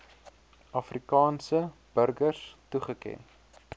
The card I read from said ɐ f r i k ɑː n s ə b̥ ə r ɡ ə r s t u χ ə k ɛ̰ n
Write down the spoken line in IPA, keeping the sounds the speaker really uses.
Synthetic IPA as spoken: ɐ f r i k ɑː n s ə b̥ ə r ɡ ə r s t u χ ə k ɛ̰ n